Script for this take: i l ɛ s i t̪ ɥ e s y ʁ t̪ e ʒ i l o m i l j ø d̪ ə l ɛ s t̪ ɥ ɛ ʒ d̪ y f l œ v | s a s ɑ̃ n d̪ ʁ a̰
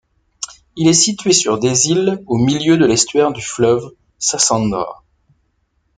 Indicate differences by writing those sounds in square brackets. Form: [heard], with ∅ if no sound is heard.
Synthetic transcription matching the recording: i l ɛ s i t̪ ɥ e s y ʁ [d̪] e [z] i l o m i l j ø d̪ ə l ɛ s t̪ ɥ ɛ [ʁ] d̪ y f l œ v | s a s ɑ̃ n d̪ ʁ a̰

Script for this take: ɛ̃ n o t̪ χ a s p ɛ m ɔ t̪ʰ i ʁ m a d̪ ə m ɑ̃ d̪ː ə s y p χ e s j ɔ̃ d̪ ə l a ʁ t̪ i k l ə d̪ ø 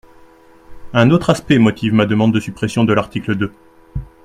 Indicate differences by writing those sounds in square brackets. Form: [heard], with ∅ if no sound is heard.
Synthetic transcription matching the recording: ɛ̃ n o t̪ χ a s p ɛ m ɔ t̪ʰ i [v] m a d̪ ə m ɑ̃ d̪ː ə s y p χ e s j ɔ̃ d̪ ə l a ʁ t̪ i k l ə d̪ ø

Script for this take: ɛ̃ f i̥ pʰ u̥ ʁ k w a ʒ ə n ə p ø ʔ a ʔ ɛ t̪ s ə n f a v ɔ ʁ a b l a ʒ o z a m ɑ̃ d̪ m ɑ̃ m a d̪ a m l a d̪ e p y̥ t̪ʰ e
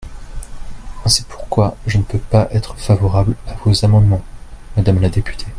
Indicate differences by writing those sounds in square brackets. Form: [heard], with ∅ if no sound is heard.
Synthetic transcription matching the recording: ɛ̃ [s] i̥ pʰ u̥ ʁ k w a ʒ ə n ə p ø [p] a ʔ ɛ t̪ [χ] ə [∅] f a v ɔ ʁ a b l a [v] o z a m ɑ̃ d̪ m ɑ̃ m a d̪ a m l a d̪ e p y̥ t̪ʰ e

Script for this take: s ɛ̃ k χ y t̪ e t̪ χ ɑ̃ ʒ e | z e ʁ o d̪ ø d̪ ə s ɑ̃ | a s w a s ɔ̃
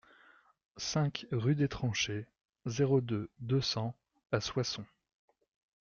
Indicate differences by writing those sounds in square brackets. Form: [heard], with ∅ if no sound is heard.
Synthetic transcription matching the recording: s ɛ̃ k [ʁ] y [d̪] e t̪ χ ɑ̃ [ʃ] e | z e ʁ o d̪ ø d̪ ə s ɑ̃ | a s w a s ɔ̃

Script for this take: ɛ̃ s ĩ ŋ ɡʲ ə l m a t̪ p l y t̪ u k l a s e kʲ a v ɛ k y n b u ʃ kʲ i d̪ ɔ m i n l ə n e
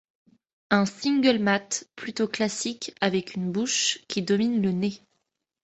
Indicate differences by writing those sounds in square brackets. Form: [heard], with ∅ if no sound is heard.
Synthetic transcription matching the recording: ɛ̃ s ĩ ŋ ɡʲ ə l m a t̪ p l y t̪ [o] k l a s [i] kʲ a v ɛ k y n b u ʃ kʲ i d̪ ɔ m i n l ə n e

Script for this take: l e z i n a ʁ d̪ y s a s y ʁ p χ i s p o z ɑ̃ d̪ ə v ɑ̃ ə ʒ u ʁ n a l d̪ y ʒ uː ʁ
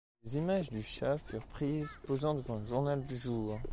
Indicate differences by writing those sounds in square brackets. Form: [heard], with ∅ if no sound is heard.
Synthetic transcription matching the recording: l e z i [m] a [ʒ] d̪ y [ʃ] a [f] y ʁ p χ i [z] p o z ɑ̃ d̪ ə v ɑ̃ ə ʒ u ʁ n a l d̪ y ʒ uː ʁ

